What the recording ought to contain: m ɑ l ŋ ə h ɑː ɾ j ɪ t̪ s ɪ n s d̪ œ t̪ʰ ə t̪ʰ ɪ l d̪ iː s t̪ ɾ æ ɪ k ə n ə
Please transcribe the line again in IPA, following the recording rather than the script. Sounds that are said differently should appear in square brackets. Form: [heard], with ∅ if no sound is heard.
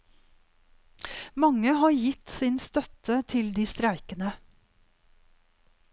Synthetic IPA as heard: m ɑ [∅] ŋ ə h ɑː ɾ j ɪ t̪ s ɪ n s [t̪] œ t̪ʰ ə t̪ʰ ɪ l d̪ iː s t̪ ɾ æ ɪ k ə n ə